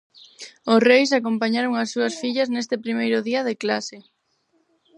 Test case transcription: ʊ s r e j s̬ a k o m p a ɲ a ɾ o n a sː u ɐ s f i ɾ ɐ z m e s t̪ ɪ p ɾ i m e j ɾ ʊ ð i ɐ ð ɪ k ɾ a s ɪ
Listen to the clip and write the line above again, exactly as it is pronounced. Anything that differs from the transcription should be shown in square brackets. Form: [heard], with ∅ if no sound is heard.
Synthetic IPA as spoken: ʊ s r e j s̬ a k o m p a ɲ a ɾ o [ŋ] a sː u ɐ s f i [ʎ] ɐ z [n] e s t̪ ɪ p ɾ i m e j ɾ ʊ ð i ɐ ð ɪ k [l] a s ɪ